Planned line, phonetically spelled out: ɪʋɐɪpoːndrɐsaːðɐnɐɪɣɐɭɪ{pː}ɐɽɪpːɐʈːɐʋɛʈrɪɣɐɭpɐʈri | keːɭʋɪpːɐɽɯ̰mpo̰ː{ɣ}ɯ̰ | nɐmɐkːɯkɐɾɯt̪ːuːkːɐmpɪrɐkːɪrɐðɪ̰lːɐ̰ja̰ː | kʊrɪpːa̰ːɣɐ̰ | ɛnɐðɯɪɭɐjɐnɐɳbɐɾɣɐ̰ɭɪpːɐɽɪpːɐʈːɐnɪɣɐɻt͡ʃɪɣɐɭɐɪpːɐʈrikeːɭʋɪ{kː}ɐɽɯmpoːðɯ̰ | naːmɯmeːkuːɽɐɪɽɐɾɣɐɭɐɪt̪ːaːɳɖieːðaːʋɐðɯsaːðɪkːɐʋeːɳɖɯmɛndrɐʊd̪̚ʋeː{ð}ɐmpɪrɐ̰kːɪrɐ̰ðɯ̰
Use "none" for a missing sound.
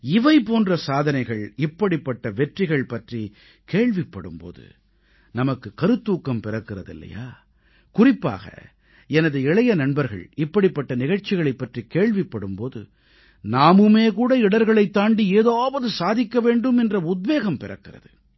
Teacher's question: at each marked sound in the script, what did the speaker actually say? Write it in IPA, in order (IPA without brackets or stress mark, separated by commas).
pː, ð, pː, ɣ